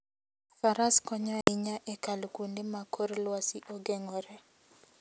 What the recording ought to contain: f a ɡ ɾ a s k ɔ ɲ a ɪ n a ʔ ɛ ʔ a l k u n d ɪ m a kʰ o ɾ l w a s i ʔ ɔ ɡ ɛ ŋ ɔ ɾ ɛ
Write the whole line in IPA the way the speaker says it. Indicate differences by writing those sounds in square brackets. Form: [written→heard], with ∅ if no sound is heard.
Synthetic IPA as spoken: f a [ɡ→∅] ɾ a s k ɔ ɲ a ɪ [n→ɲ] a ʔ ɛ [ʔ→k] a l k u n d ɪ m a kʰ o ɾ l w a s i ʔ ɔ ɡ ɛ ŋ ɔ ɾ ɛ

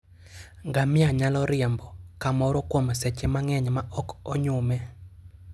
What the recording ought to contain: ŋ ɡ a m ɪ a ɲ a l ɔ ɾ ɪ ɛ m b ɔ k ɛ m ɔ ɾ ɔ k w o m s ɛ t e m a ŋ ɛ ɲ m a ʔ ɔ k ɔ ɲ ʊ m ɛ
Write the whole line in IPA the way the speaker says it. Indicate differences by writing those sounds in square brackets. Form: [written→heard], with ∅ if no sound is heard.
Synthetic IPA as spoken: ŋ ɡ a m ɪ a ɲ a l ɔ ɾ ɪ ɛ m b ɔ k [ɛ→a] m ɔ ɾ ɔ k w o m s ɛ [t→t͡ʃ] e m a ŋ ɛ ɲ m a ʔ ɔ k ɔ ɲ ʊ m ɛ

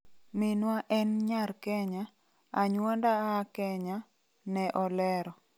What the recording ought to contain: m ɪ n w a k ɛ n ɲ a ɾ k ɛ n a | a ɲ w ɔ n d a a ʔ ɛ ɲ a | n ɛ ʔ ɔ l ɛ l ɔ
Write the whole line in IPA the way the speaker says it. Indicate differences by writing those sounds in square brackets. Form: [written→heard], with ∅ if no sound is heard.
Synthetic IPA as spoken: m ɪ n w a [k→ʔ] ɛ n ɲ a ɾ k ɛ [n→ɲ] a | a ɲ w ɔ n d a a [ʔ→k] ɛ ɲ a | n ɛ ʔ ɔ l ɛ [l→ɾ] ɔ

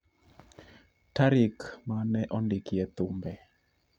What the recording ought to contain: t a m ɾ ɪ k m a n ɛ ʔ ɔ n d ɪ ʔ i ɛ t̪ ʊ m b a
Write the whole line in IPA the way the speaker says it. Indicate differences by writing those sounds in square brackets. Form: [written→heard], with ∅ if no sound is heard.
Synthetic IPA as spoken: t a [m→∅] ɾ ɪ k m a n ɛ ʔ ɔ n d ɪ [ʔ→k] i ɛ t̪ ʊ m b [a→ɛ]

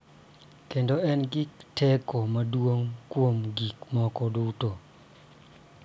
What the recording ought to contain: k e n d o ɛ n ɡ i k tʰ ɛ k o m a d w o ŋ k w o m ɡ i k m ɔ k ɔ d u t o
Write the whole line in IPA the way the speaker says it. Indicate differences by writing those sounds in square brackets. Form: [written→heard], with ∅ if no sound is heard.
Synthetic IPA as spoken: k e n d o ɛ n ɡ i k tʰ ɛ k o m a d w o ŋ k w o m ɡ i k m ɔ k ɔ d u t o

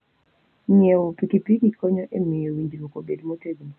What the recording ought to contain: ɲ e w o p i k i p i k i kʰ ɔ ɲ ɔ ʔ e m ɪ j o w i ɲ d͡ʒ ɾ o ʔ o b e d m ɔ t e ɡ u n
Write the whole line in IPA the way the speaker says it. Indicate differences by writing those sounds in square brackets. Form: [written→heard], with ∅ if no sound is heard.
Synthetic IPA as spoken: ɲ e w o p i k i p i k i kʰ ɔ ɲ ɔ ʔ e m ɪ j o w i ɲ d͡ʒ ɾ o [ʔ→k] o b e d m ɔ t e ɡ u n

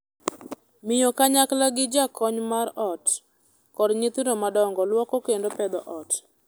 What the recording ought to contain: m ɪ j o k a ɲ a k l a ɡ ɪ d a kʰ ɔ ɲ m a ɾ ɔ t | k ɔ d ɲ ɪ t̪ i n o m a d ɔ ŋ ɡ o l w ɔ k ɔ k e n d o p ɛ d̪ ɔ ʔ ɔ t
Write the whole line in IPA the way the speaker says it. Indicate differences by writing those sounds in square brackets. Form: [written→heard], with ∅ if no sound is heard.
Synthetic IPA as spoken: m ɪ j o k a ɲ a k l a ɡ ɪ [d→d͡ʒ] a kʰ ɔ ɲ m a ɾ ɔ t | k ɔ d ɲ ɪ t̪ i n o m a d ɔ ŋ ɡ [o→ɔ] l w ɔ k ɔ k e n d o p ɛ d̪ ɔ ʔ ɔ t

